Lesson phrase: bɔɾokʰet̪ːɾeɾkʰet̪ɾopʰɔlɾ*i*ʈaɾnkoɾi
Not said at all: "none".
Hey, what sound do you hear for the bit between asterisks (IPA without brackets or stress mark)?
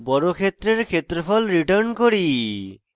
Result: i